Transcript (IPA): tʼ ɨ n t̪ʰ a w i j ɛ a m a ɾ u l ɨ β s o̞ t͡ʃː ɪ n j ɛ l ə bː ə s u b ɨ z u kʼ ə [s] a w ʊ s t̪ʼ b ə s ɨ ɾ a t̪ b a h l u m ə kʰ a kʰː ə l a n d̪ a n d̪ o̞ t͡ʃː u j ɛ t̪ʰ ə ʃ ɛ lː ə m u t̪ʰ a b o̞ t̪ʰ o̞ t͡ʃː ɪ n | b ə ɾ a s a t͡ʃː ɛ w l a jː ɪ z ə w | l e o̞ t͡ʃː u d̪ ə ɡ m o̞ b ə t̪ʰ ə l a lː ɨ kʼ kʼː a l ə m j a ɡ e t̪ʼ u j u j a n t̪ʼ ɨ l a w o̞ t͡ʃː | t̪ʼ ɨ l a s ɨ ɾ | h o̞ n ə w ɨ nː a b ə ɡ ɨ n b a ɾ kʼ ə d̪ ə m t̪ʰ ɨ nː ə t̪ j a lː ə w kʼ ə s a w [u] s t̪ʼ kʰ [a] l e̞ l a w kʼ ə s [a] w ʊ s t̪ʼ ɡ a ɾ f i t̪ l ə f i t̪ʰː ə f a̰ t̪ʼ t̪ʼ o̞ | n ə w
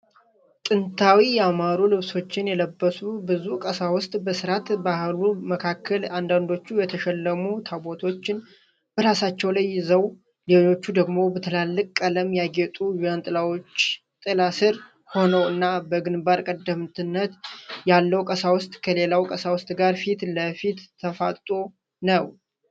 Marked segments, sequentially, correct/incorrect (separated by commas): correct, incorrect, incorrect, correct